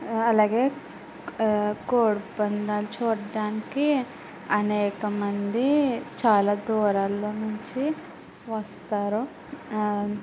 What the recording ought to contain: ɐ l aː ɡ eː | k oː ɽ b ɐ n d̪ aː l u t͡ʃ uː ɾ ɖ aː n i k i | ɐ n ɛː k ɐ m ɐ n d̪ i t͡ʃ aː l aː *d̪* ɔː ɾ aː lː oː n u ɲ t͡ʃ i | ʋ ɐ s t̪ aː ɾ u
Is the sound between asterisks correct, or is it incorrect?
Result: correct